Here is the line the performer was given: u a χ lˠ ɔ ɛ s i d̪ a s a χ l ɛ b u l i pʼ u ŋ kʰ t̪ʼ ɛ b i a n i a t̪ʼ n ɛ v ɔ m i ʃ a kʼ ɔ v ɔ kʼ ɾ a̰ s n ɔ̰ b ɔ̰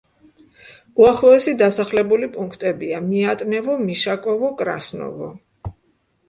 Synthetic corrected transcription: u a χ lˠ ɔ ɛ s i d̪ a s a χ l ɛ b u l i pʼ u ŋ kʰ t̪ʼ ɛ b i a m i a t̪ʼ n ɛ v ɔ m i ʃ a kʼ ɔ v ɔ kʼ ɾ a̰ s n ɔ̰ v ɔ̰